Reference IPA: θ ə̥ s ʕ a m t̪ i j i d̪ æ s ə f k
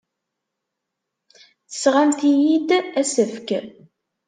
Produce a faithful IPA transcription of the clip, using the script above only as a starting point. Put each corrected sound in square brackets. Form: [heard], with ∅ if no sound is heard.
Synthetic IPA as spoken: θ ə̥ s [ʁ] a m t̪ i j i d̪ æ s ə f k